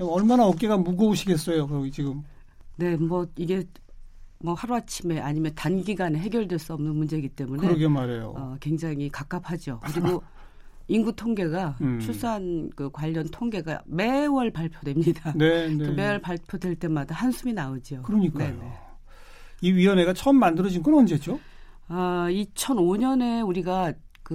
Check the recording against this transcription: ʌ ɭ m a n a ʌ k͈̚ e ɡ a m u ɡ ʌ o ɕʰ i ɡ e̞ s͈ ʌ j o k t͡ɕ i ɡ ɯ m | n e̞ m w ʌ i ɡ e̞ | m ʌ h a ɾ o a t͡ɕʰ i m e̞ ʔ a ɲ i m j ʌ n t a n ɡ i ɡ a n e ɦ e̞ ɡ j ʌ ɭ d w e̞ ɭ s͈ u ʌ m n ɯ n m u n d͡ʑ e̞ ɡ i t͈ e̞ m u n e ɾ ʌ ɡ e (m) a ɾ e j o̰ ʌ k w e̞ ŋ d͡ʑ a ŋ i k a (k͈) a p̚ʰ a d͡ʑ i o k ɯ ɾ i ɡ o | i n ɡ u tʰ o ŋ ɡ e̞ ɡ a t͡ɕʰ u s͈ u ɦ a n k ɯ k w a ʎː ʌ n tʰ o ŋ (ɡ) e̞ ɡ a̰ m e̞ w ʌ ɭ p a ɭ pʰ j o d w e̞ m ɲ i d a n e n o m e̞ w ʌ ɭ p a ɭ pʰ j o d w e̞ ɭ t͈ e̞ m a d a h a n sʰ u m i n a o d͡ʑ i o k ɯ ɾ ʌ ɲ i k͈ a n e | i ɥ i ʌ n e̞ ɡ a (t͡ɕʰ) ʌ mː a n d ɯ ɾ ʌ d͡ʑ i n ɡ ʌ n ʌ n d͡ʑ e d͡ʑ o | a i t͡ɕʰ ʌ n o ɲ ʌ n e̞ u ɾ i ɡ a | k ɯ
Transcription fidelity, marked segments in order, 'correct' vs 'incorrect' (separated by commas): correct, correct, correct, correct